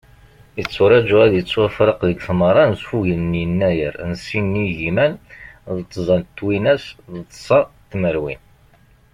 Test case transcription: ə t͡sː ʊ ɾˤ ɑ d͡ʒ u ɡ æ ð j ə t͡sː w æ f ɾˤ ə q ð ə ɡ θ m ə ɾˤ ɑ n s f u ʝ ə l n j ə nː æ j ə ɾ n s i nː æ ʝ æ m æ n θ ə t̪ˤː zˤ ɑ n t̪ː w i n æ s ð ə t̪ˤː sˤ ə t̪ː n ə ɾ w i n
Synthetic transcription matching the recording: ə t͡sː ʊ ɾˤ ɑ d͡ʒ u æ ð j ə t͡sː w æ f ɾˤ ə q ð ə ɡ θ m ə ɾˤ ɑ n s f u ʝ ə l n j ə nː æ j ə ɾ n s i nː i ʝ i m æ n ð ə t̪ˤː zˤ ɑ n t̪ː w i n æ s ð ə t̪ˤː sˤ ɑ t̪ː m ə ɾ w i n

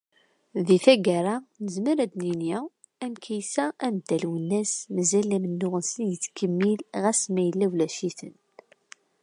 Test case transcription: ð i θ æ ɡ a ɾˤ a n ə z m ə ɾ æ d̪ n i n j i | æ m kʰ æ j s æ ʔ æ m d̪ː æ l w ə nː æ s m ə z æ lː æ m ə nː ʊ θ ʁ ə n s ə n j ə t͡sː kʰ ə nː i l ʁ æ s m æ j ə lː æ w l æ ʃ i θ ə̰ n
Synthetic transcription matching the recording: ð i θ æ ɡ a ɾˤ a n ə z m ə ɾ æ d̪ n i n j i | æ m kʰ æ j s æ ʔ æ m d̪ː æ l w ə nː æ s m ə z æ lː æ m ə nː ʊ ʁ ə n s ə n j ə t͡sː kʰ ə mː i l ʁ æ s m æ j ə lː æ w l æ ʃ i θ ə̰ n

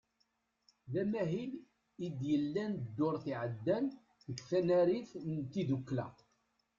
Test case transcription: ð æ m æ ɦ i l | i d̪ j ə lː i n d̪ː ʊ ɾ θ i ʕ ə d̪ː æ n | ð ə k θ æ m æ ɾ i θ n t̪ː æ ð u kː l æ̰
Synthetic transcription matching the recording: ð æ m æ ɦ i l | i d̪ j ə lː æ n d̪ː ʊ ɾ θ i ʕ ə d̪ː æ n | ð ə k θ æ n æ ɾ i θ n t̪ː i ð u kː l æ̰

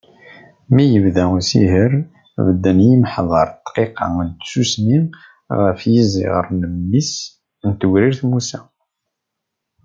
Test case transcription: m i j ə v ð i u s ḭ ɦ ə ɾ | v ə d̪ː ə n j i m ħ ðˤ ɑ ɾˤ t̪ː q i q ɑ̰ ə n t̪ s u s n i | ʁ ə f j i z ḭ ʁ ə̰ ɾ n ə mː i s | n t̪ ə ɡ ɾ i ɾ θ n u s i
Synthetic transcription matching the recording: m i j ə v ð æ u s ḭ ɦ ə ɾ | v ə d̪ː ə n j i m ħ ðˤ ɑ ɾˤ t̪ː q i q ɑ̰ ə n t̪ s u s n i | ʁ ə f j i z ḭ ʁ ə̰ ɾ n ə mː i s | n t̪ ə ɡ ɾ i ɾ θ m u s æ

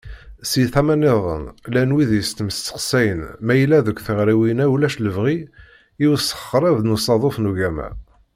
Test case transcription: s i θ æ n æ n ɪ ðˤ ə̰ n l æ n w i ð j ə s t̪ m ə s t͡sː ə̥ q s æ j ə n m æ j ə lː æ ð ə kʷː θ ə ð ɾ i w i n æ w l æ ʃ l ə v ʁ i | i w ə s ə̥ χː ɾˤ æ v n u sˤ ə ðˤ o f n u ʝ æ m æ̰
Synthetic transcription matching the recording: s i θ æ m æ n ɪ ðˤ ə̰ n l æ n w i ð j ə s t̪ m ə s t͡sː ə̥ q s æ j ə n m æ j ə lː æ ð ə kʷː θ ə ʁ ɾ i w i n æ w l æ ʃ l ə v ʁ i | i w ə s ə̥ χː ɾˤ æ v n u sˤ ɑ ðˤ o f n u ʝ æ m æ̰

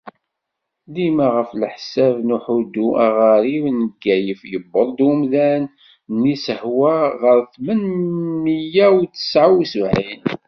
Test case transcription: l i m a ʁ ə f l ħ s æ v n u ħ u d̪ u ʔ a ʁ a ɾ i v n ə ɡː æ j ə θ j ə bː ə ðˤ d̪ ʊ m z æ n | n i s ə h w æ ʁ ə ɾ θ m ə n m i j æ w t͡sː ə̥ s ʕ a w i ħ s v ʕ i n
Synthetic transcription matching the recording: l i m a ʁ ə f l ħ s æ v n u ħ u d̪ u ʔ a ʁ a ɾ i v n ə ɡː æ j ə f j ə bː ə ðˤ d̪ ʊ m ð æ n | n i s ə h w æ ʁ ə ɾ θ m ə n m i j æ w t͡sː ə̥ s ʕ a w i s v ʕ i n

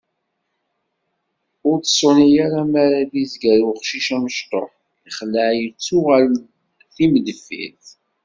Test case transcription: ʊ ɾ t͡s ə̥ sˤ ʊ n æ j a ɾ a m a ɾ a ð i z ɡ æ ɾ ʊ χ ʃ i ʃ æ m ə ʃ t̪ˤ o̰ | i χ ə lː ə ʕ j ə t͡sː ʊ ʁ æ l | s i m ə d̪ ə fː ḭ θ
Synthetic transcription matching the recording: ʊ ɾ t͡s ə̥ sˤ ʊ n i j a ɾ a m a ɾ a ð i z ɡ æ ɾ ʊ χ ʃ i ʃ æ m ə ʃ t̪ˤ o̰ | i χ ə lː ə ʕ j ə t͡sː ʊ ʁ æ l | θ i m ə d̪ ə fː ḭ θ

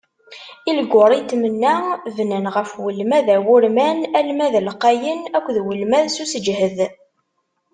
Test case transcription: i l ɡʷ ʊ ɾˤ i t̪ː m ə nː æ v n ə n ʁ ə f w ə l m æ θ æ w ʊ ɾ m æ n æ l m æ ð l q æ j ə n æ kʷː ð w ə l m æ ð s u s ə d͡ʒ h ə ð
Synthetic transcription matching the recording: i l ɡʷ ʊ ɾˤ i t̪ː m ə nː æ v n ə n ʁ ə f w ə l m æ ð æ w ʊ ɾ m æ n æ l m æ ð l q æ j ə n æ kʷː ð w ə l m æ ð s u s ə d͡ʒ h ə ð

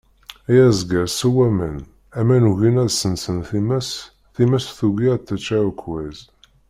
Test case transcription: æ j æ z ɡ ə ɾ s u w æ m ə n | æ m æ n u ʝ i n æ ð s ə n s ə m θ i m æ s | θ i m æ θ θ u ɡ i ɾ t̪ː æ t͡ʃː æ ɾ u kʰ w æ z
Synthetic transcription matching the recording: æ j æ z ɡ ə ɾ s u w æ m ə n | æ m æ n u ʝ i n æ ð s ə n s ə n θ i m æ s | θ i m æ s θ u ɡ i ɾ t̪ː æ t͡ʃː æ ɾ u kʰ w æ z

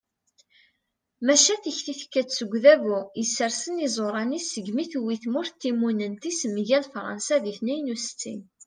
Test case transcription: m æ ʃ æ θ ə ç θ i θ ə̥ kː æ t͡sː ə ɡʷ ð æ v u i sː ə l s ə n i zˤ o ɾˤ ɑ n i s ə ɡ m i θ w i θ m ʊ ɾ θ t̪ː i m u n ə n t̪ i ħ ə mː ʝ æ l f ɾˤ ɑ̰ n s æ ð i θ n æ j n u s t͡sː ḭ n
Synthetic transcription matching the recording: m æ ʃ æ θ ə ç θ i θ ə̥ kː æ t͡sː ə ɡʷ ð æ v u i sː ə ɾ s ə n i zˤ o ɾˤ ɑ n i s ə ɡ m i θ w i θ m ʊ ɾ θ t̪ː i m u n ə n t̪ i s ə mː ʝ æ l f ɾˤ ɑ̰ n s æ ð i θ n æ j n u s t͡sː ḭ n

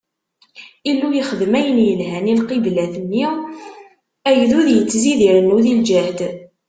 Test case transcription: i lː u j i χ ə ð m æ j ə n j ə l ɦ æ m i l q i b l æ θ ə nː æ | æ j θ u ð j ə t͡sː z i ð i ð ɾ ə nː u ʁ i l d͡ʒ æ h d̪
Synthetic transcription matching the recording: i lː u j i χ ə ð m æ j ə n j ə l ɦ æ n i l q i b l æ θ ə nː i | æ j ð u ð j ə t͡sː z i ð i ɾ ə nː u ð i l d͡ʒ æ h d̪

